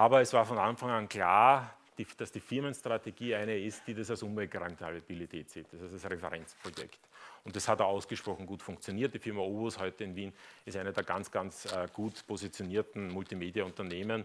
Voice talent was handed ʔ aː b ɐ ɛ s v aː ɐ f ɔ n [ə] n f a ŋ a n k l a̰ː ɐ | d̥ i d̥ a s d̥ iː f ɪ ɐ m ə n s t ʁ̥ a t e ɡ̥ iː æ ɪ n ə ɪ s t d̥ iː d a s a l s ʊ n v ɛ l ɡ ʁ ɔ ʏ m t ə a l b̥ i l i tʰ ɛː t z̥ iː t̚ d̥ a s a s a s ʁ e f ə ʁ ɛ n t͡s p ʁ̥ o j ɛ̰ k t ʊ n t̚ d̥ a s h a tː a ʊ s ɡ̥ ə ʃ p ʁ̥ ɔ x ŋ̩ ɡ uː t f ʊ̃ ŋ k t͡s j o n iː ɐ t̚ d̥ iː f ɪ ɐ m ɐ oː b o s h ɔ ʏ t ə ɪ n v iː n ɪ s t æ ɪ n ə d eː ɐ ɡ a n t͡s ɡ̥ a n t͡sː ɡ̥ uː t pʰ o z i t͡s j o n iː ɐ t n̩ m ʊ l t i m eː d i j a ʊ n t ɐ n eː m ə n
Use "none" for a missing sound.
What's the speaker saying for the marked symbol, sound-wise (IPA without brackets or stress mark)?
a